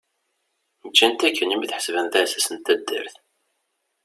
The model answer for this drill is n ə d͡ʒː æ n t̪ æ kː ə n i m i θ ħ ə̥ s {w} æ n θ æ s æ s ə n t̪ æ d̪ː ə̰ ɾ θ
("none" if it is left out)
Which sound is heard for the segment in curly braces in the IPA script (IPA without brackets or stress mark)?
v